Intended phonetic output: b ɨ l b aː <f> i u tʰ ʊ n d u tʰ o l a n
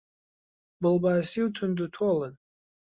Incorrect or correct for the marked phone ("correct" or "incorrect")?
incorrect